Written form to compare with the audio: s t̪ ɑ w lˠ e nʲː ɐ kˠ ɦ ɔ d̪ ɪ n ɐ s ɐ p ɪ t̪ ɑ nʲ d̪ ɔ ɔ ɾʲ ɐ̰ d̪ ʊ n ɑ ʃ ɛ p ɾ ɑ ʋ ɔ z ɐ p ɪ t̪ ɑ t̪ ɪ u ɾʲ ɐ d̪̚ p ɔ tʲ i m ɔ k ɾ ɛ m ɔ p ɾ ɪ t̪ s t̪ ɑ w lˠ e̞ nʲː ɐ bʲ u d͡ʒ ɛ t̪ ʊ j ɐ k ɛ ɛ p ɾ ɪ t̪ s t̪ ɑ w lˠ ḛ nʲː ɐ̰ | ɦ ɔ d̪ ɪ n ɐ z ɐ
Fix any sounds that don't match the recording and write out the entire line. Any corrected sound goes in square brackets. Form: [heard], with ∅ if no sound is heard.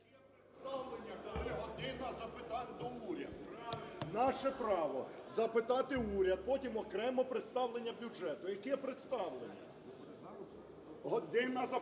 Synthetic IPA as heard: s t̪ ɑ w lˠ e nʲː ɐ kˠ ɦ ɔ d̪ ɪ n ɐ [z] ɐ p ɪ t̪ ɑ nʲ d̪ ɔ [u] ɾʲ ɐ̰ d̪ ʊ n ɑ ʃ ɛ p ɾ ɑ ʋ ɔ z ɐ p ɪ t̪ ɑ t̪ ɪ u ɾʲ ɐ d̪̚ p ɔ tʲ i m ɔ k ɾ ɛ m ɔ p ɾ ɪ t̪ s t̪ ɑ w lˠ e̞ nʲː ɐ bʲ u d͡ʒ ɛ t̪ ʊ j ɐ k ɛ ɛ p ɾ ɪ t̪ s t̪ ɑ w lˠ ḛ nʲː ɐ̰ | ɦ ɔ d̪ ɪ n ɐ z ɐ